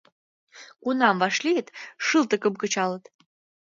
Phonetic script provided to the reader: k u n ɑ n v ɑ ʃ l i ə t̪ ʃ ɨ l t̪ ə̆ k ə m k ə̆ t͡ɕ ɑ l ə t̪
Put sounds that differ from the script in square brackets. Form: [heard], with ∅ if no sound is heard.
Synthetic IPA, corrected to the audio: k u n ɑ [m] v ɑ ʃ l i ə t̪ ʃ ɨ l t̪ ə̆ k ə m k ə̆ t͡ɕ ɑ l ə t̪